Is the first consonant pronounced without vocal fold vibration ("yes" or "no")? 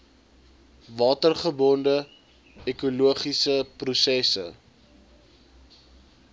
no